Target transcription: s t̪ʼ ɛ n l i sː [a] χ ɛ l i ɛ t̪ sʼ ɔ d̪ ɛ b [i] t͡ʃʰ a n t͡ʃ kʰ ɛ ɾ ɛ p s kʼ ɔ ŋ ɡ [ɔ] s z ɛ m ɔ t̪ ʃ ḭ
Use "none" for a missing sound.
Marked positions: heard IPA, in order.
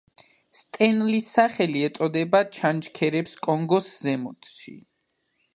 a, a, ɔ

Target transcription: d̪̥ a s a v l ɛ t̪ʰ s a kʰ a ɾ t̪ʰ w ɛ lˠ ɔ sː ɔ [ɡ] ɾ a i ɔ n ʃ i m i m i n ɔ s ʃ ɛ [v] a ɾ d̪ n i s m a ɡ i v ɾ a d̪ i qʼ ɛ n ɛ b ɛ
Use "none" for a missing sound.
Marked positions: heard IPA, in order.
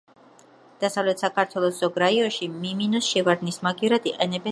ɡ, v

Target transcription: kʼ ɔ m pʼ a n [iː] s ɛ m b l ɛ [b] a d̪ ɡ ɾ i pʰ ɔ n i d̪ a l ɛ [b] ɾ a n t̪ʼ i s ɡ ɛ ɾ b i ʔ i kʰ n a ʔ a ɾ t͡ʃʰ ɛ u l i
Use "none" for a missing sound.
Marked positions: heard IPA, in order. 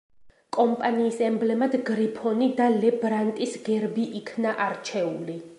iː, m, b

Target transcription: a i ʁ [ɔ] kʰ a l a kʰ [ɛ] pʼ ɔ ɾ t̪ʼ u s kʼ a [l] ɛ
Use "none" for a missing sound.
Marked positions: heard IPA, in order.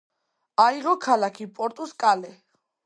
ɔ, i, l

